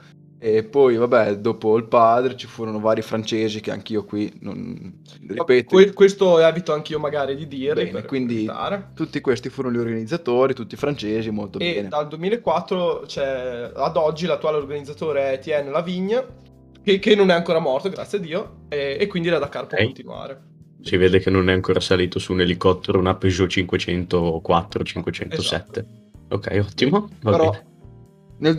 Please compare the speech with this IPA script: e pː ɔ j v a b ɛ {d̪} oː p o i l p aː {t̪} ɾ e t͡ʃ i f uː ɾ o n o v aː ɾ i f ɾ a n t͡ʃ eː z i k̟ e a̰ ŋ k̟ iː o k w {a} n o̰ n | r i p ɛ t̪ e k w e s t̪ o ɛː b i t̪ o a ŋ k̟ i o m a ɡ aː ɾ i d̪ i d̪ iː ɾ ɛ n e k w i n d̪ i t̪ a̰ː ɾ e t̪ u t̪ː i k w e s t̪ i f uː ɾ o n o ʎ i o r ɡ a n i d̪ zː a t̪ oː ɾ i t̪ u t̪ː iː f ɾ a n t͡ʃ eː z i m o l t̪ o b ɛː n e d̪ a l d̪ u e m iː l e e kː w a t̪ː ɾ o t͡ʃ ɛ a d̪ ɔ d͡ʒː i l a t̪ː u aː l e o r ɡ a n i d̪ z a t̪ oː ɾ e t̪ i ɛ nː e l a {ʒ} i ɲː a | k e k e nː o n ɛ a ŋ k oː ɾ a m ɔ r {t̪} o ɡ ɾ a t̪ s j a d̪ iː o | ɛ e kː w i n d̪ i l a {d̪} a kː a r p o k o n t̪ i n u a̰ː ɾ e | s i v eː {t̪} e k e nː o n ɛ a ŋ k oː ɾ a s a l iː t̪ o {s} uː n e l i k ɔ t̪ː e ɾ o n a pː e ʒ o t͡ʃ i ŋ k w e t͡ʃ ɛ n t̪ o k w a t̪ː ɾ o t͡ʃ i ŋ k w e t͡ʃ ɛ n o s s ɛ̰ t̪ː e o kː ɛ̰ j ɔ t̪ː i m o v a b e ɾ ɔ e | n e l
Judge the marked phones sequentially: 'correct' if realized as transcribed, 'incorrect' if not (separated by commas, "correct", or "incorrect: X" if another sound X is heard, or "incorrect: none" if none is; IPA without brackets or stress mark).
correct, incorrect: d̪, incorrect: i, incorrect: v, correct, correct, incorrect: d̪, correct